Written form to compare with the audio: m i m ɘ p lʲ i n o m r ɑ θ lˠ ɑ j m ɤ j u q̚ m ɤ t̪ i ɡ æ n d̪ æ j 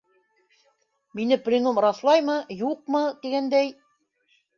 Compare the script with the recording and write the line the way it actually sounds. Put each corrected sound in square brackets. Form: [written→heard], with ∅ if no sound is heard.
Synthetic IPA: m i [m→n] ɘ p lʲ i n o m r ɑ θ lˠ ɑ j m ɤ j u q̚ m ɤ t̪ i ɡ æ n d̪ æ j

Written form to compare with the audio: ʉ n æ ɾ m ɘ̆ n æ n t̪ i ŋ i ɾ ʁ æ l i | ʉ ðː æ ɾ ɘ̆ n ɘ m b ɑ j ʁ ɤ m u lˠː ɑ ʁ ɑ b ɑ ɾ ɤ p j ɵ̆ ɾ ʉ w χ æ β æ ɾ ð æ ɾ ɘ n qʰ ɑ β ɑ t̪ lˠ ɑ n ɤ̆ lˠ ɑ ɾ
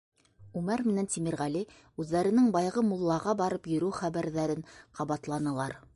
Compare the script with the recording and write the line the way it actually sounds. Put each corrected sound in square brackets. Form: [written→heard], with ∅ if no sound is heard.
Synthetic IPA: ʉ [n→m] æ ɾ m ɘ̆ n æ n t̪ i [ŋ→m] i ɾ ʁ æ l i | ʉ ðː æ ɾ ɘ̆ n ɘ [m→ŋ] b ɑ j ʁ ɤ m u lˠː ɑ ʁ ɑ b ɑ ɾ ɤ p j ɵ̆ ɾ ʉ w χ æ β æ ɾ ð æ ɾ ɘ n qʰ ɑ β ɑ t̪ lˠ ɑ n ɤ̆ lˠ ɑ ɾ

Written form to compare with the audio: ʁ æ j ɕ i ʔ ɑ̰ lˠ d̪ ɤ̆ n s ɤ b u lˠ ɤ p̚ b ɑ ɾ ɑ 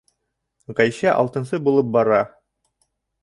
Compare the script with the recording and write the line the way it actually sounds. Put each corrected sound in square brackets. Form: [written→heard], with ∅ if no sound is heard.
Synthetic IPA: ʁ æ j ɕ [i→æ] ʔ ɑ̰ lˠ [d̪→t̪] ɤ̆ n s ɤ b u lˠ ɤ p̚ b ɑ ɾ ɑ

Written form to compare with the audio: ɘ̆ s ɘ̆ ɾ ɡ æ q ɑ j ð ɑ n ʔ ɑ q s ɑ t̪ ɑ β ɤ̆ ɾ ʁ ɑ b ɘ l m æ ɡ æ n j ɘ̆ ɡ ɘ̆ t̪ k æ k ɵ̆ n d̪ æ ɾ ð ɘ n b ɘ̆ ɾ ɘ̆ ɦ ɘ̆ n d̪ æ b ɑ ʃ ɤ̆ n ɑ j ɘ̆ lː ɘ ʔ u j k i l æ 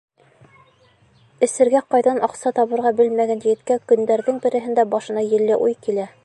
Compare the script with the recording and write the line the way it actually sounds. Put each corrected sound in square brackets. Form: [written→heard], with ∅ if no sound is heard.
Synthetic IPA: ɘ̆ s ɘ̆ ɾ ɡ æ q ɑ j ð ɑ n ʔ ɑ q s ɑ t̪ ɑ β ɤ̆ ɾ ʁ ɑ b ɘ l m æ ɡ æ n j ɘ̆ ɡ ɘ̆ t̪ k æ k ɵ̆ n d̪ æ ɾ ð ɘ [n→ŋ] b ɘ̆ ɾ ɘ̆ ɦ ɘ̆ n d̪ æ b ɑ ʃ ɤ̆ n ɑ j ɘ̆ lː ɘ ʔ u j k i l æ

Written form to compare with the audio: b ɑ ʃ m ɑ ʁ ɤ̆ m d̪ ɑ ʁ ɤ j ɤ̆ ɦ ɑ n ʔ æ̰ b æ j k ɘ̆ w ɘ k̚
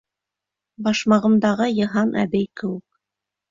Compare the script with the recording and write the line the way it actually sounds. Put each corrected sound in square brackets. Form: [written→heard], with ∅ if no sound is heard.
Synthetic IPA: b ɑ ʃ m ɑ ʁ ɤ̆ m d̪ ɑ ʁ ɤ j ɤ̆ ɦ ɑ n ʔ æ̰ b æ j k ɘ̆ w ɘ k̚

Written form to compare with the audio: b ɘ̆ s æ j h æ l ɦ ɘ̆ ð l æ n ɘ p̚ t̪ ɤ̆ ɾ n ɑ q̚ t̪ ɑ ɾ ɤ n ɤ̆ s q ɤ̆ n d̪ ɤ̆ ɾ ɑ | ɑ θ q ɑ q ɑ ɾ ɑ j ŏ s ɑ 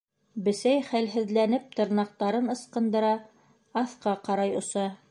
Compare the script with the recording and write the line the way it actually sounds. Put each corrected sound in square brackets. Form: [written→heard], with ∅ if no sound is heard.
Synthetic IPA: b ɘ̆ s æ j [h→χ] æ l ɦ ɘ̆ ð l æ n ɘ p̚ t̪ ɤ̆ ɾ n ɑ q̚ t̪ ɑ ɾ ɤ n ɤ̆ s q ɤ̆ n d̪ ɤ̆ ɾ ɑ | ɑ θ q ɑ q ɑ ɾ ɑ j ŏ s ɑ

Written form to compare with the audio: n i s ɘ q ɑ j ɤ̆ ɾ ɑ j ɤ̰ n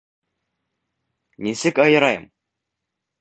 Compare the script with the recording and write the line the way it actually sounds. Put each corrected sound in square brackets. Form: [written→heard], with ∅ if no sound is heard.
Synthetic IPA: n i s ɘ [q→k] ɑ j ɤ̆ ɾ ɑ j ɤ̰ [n→m]

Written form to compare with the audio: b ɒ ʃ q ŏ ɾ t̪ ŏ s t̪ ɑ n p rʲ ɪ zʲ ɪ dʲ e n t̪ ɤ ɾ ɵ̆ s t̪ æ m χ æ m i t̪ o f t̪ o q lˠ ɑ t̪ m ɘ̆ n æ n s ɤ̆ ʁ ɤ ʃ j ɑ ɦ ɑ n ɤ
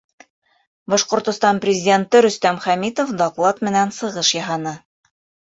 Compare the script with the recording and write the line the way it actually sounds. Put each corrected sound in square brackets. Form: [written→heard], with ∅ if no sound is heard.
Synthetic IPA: b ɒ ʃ q ŏ ɾ t̪ ŏ s t̪ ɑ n p rʲ ɪ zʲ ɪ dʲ e n t̪ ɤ ɾ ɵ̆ s t̪ æ m χ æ m i t̪ o f [t̪→d̪] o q lˠ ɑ t̪ m ɘ̆ n æ n s ɤ̆ ʁ ɤ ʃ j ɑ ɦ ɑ n ɤ

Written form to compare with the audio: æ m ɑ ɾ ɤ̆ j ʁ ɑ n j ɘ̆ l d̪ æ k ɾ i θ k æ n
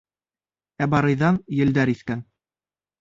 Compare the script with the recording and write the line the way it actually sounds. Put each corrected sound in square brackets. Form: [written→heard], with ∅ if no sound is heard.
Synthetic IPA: æ [m→b] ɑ ɾ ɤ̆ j [ʁ→ð] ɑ n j ɘ̆ l d̪ æ [k→∅] ɾ i θ k æ n

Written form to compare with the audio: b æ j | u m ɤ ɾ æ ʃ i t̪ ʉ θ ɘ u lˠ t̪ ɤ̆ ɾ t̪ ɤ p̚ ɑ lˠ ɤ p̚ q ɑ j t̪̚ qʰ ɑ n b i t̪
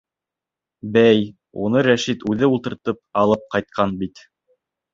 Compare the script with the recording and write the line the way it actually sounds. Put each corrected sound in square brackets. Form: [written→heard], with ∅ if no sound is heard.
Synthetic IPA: b æ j | u [m→n] ɤ ɾ æ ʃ i t̪ ʉ [θ→ð] ɘ u lˠ t̪ ɤ̆ ɾ t̪ ɤ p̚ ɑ lˠ ɤ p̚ q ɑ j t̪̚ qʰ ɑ n b i t̪

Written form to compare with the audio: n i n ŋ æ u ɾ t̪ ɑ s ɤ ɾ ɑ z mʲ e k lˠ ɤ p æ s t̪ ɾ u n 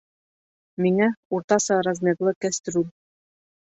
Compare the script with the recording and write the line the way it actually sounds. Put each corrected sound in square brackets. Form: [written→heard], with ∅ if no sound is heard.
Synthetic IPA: [n→m] i [n→∅] ŋ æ u ɾ t̪ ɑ s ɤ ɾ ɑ z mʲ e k lˠ ɤ [p→k] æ s t̪ ɾ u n

